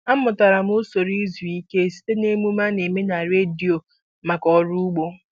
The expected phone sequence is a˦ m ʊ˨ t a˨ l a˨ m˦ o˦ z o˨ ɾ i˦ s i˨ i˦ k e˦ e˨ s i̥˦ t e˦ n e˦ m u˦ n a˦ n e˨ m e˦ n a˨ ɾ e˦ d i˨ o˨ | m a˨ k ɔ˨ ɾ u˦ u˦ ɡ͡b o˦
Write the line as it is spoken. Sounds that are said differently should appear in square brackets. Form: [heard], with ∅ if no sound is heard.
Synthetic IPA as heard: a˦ m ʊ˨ t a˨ [ɾ] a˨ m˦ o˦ [s] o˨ ɾ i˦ [z] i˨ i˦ k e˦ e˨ s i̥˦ t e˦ n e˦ m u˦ [m] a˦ n e˨ m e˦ n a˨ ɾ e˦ d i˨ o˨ | m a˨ k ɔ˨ ɾ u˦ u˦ ɡ͡b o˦